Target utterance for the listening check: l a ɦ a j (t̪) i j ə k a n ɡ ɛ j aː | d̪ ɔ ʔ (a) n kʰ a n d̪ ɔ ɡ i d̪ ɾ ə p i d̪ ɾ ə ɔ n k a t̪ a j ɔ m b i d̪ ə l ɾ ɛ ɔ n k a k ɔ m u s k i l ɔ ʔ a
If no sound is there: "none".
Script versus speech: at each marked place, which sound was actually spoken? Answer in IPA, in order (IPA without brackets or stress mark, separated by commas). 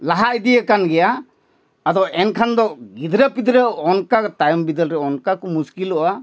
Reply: d̪, ɛ